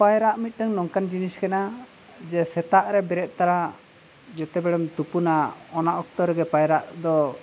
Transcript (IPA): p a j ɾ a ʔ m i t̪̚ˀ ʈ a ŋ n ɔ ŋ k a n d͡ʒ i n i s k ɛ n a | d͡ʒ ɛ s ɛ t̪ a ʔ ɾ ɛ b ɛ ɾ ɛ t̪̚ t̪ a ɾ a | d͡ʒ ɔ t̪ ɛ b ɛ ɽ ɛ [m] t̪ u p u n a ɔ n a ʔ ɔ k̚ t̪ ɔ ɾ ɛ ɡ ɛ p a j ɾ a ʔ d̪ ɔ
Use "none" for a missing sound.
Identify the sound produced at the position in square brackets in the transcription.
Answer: m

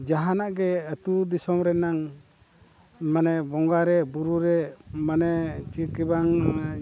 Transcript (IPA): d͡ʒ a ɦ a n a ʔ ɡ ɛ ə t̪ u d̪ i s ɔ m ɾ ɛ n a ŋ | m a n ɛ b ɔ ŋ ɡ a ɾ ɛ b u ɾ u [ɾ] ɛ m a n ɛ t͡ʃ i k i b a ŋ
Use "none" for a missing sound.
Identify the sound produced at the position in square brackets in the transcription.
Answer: ɾ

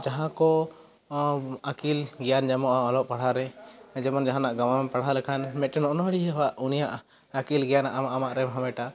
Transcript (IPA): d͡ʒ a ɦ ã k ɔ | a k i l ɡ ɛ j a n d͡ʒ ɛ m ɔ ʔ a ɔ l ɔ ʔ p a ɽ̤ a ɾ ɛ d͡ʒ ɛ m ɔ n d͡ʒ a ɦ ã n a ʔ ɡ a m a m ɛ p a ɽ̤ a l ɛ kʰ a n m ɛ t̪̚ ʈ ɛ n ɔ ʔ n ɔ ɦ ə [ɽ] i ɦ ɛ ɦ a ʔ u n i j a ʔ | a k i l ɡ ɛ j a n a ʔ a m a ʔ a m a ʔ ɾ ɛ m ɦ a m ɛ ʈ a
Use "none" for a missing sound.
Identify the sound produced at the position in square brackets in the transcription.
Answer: ɽ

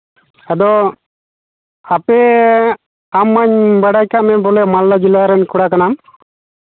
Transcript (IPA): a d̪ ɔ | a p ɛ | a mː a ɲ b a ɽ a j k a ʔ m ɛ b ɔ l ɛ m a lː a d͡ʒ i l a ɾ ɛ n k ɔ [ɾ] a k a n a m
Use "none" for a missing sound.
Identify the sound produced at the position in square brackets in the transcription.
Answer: ɽ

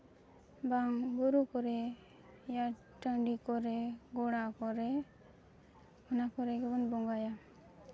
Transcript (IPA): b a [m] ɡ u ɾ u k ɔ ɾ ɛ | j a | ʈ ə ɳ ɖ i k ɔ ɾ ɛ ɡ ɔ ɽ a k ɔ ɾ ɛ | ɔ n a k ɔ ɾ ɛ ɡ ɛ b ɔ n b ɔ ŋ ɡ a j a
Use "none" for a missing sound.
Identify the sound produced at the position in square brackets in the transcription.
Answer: ŋ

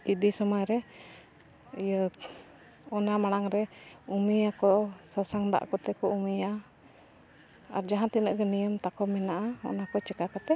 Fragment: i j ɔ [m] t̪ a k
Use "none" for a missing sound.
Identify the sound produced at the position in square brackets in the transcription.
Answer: m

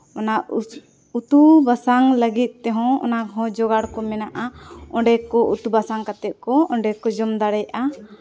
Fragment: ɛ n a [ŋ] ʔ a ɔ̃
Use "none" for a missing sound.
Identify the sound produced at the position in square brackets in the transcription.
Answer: none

